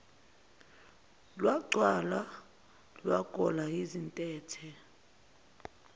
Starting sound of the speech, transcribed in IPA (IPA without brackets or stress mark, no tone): l